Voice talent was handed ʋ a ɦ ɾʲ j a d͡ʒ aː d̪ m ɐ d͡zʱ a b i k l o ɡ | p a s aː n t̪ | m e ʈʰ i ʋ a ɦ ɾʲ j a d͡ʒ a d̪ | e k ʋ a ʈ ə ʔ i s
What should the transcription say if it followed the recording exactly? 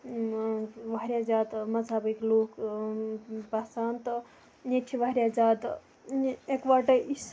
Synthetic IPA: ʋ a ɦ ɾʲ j a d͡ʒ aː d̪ m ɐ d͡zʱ a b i k l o k | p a s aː n t̪ | n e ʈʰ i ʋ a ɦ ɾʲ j a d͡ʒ a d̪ | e k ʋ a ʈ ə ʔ i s

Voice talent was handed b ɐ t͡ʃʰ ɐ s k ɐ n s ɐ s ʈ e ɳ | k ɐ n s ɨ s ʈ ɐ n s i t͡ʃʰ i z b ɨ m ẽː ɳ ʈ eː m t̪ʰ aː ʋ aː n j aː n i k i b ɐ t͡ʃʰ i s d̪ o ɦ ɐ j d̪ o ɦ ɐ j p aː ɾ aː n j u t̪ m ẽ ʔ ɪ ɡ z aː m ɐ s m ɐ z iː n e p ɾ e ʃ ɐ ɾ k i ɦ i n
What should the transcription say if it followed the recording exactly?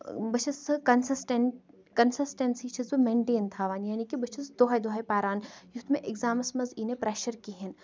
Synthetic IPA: b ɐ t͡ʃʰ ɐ s k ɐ n s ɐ s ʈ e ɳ | k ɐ n s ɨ s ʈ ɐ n s i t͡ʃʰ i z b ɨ m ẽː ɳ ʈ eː n t̪ʰ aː ʋ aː n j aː n i k i b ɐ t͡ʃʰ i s d̪ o ɦ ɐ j d̪ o ɦ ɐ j p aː ɾ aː n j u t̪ m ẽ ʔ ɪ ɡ z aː m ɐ s m ɐ z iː n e p ɾ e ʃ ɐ ɾ k i ɦ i n

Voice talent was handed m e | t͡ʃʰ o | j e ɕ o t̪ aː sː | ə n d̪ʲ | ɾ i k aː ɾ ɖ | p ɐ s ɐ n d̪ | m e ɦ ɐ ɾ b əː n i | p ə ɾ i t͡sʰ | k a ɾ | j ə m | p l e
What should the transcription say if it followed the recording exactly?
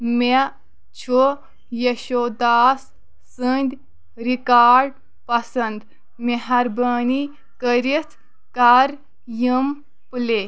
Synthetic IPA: m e | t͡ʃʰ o | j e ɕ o d̪ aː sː | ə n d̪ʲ | ɾ i k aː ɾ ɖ | p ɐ s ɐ n d̪ | m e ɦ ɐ ɾ b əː n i | k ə ɾ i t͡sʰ | k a ɾ | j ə m | p l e

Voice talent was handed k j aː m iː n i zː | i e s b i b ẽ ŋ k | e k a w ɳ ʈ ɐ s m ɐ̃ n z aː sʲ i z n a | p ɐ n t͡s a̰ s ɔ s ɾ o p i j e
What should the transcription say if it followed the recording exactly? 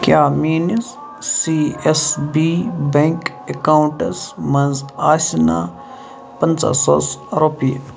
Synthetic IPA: k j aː m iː n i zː | i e s b i b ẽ ŋ k | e k a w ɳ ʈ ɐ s m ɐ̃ n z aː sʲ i n a | p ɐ n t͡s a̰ s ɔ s ɾ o p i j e

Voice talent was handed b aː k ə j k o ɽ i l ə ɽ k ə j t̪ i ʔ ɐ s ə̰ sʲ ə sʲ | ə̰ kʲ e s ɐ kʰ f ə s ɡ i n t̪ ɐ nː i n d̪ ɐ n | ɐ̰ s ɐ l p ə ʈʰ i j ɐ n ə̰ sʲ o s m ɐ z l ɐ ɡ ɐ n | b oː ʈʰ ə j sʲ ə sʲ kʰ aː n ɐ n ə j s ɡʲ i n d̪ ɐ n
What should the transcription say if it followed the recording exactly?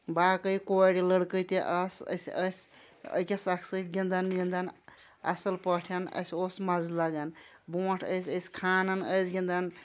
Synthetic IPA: b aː k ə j k o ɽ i l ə ɽ k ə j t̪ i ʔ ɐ s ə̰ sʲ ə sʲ | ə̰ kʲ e s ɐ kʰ s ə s ɡ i n d̪ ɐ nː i n d̪ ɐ n | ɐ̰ s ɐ l p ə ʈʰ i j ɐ n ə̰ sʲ o s m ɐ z l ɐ ɡ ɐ n | b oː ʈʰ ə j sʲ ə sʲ kʰ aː n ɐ n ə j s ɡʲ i n d̪ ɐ n

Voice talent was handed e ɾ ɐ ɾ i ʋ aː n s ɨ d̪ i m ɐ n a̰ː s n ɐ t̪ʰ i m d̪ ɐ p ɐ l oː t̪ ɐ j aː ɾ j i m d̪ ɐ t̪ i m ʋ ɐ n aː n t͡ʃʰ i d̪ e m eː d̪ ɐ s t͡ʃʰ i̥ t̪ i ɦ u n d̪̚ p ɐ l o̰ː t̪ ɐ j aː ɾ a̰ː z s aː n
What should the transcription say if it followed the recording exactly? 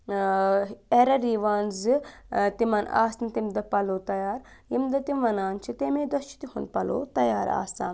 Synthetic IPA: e ɾ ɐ ɾ i ʋ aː n z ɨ t̪ i m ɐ n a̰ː s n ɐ t̪ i m d̪ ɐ p ɐ l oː t̪ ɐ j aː ɾ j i m d̪ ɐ t̪ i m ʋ ɐ n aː n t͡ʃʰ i t̪ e m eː d̪ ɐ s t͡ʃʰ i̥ t̪ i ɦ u n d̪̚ p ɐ l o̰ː t̪ ɐ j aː ɾ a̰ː s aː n

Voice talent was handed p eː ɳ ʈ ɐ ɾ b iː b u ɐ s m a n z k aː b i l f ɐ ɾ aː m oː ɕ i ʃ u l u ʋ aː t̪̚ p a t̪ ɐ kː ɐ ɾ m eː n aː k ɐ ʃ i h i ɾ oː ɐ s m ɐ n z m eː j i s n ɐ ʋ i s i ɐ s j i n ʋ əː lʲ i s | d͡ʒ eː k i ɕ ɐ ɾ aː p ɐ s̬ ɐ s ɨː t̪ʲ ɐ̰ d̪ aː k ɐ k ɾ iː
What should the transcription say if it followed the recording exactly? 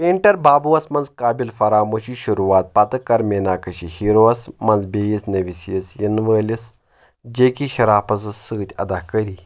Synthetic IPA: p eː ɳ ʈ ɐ ɾ b aː b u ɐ s m ɐ n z k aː b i l f ɐ ɾ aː m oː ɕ i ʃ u ɾ u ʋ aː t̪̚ p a t̪ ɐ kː ɐ ɾ m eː n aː k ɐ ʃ i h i ɾ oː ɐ s m ɐ n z b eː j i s n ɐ ʋ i s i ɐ s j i n ʋ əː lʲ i s | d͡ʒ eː k i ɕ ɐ ɾ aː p ɐ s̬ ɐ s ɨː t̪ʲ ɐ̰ d̪ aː k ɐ ɾ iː

